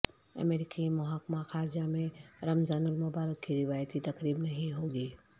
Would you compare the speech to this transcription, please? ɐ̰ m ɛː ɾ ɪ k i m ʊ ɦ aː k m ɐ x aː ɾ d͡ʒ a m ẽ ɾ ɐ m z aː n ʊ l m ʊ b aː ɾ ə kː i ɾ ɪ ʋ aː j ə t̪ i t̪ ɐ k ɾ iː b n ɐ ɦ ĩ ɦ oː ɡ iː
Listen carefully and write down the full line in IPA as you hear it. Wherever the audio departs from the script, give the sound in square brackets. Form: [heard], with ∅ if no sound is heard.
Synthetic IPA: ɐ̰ m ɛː ɾ ɪ k i m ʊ ɦ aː k m [a] x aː ɾ d͡ʒ a m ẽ ɾ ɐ m z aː n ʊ l m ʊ b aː ɾ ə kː i ɾ ɪ ʋ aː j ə t̪ i t̪ ɐ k ɾ iː b n ɐ ɦ ĩ ɦ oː ɡ iː